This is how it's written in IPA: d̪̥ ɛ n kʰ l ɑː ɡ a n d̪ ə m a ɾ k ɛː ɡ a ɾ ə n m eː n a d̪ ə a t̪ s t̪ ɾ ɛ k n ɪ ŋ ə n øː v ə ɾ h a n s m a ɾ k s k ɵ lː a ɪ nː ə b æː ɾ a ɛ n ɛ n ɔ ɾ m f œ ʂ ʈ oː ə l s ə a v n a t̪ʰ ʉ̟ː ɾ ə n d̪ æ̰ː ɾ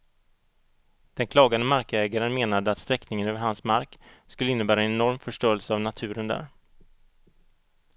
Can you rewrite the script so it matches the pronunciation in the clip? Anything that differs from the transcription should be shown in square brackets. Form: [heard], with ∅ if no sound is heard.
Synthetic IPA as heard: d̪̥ ɛ n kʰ l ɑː ɡ a n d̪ ə m a ɾ k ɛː ɡ a ɾ ə n m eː n a d̪ ə a t̪ s t̪ ɾ ɛ k n ɪ ŋ ə n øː v ə ɾ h a n s m a ɾ k s k ɵ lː [ə] ɪ nː ə b æː ɾ a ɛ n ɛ n ɔ ɾ m f œ ʂ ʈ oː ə l s ə a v n a t̪ʰ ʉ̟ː ɾ ə n d̪ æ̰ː ɾ